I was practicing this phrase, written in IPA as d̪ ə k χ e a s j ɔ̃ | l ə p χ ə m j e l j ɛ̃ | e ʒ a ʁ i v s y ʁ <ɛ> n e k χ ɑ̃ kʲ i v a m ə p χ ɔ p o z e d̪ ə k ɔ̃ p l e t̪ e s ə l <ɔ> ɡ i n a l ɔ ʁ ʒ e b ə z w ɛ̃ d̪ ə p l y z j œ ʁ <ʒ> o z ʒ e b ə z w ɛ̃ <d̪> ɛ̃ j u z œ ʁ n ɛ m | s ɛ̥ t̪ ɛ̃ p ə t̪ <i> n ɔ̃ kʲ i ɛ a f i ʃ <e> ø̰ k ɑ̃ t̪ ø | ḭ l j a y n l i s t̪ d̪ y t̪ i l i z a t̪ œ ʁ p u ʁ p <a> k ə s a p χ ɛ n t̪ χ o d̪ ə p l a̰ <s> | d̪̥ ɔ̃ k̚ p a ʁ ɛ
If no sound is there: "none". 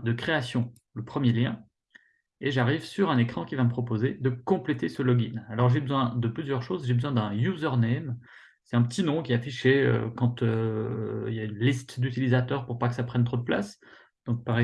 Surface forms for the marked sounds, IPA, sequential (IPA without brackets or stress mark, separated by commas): ɛ̃, ɔ, ʃ, d̪, i, e, a, s